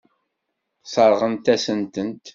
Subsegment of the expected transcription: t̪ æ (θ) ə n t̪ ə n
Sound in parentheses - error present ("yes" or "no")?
yes